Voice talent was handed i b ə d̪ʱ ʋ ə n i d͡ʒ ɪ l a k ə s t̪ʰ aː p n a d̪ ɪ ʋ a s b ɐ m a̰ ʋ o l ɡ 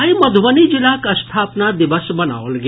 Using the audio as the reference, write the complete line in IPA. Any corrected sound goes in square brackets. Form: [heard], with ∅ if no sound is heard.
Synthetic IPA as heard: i [m] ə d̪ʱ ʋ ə n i d͡ʒ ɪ l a k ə s t̪ʰ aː p n a d̪ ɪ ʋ [ə] s b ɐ [n] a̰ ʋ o l ɡ